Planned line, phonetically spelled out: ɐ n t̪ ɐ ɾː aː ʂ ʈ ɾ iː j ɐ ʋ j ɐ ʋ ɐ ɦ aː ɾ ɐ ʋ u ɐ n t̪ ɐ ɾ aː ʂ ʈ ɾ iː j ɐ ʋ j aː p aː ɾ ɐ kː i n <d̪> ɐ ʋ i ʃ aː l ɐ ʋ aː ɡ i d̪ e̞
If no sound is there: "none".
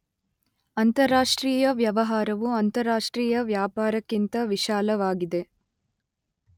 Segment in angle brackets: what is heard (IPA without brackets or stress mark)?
t̪